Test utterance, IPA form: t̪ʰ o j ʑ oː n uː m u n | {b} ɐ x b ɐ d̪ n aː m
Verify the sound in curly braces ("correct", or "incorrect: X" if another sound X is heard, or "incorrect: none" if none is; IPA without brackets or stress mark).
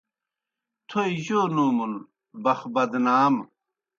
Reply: correct